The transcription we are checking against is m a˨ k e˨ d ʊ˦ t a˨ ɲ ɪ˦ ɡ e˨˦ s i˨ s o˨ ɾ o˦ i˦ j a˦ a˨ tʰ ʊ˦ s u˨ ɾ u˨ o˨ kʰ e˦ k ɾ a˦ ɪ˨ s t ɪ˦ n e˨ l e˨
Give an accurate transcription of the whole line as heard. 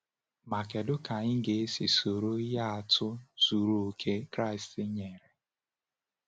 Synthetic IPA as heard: m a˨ k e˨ d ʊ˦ k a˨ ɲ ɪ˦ ɡ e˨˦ s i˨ s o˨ ɾ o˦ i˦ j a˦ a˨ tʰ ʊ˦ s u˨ ɾ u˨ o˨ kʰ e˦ k ɾ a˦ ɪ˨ s t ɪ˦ ɲ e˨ ɾ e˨